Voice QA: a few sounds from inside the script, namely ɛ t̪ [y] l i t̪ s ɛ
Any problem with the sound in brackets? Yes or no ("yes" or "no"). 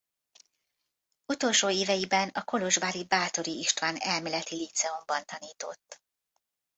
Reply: yes